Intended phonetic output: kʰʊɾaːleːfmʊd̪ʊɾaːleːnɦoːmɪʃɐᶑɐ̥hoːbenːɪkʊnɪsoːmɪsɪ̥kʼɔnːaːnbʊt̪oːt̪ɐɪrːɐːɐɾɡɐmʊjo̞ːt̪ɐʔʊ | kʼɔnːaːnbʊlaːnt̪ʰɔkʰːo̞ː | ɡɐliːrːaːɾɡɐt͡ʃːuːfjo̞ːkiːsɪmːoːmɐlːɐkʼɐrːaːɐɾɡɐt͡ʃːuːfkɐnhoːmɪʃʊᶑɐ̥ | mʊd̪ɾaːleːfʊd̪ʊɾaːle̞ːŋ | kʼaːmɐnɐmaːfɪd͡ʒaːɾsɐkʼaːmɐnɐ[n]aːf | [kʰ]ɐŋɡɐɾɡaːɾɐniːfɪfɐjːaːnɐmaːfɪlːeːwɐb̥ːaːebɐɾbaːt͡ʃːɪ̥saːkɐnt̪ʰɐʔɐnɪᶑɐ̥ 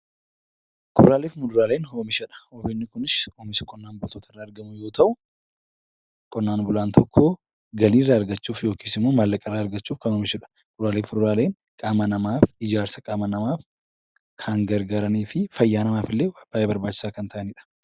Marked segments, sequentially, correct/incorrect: incorrect, correct

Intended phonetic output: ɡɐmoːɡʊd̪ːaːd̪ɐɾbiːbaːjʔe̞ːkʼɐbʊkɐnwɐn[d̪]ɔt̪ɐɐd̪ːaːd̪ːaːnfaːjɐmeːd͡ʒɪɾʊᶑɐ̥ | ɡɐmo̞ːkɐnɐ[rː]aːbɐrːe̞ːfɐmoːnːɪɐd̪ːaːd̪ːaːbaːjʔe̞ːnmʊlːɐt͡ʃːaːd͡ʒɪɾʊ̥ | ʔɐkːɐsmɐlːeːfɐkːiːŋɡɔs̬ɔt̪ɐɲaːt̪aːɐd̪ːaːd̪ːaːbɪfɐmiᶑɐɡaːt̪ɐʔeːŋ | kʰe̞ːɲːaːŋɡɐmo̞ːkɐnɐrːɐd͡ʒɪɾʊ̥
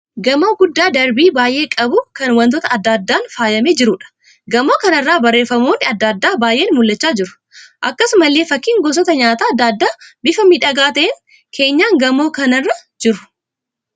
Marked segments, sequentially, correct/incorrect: incorrect, correct

